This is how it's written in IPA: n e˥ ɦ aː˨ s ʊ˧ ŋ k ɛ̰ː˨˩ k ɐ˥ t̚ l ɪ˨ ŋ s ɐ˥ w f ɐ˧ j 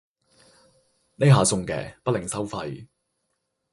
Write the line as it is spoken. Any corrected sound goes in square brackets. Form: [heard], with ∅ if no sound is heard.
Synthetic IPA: n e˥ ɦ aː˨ s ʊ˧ ŋ k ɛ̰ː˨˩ [p] ɐ˥ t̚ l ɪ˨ ŋ s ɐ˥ w f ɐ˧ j